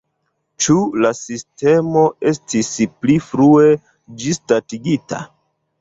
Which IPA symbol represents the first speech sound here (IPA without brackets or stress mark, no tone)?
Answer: t͡ʃ